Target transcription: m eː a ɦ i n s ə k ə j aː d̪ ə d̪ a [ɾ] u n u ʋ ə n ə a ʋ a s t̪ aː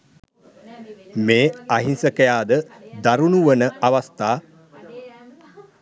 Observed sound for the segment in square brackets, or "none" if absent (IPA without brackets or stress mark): ɾ